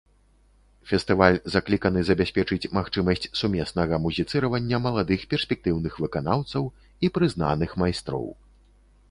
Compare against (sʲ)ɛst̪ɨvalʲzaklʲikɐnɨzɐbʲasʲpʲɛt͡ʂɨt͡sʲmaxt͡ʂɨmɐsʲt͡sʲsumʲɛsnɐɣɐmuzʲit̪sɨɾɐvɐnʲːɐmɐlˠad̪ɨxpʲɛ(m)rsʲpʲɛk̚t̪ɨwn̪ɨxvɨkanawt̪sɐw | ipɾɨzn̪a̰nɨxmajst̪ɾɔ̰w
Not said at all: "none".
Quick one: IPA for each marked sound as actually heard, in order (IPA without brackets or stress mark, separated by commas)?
fʲ, none